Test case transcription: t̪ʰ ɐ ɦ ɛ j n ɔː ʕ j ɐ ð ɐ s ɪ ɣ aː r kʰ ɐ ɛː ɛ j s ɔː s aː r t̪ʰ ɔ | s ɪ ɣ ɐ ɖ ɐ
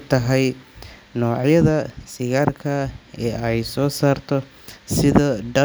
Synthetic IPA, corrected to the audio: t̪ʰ ɐ ɦ ɛ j n ɔː ʕ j ɐ ð ɐ s ɪ ɣ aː r kʰ ɐ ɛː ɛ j s ɔː s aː r t̪ʰ ɔ | s ɪ ð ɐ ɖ ɐ